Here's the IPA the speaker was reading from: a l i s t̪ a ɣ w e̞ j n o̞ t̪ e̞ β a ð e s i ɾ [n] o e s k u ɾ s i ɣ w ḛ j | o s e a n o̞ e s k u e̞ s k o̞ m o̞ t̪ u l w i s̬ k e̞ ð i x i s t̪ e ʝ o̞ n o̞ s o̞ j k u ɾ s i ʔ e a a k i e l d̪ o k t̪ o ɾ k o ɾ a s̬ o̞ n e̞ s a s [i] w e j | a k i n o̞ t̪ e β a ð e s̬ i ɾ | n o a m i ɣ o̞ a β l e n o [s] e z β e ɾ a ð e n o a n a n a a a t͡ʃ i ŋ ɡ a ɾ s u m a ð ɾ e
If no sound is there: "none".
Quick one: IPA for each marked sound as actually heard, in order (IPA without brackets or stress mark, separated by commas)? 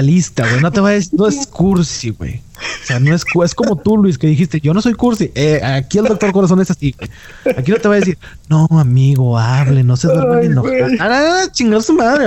n, i, s